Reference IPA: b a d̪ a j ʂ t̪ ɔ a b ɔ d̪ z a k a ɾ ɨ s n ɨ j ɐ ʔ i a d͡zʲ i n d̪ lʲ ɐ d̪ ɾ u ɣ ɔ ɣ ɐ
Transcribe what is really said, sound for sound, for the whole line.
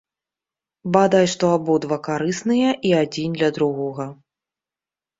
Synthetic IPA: b a d̪ a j ʂ t̪ ɔ a b ɔ d̪ v a k a ɾ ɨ s n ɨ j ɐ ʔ i a d͡zʲ i n d̪ lʲ ɐ d̪ ɾ u ɣ ɔ ɣ ɐ